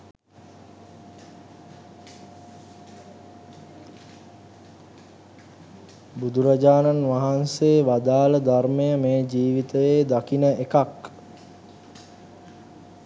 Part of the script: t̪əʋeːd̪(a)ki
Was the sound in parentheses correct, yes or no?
yes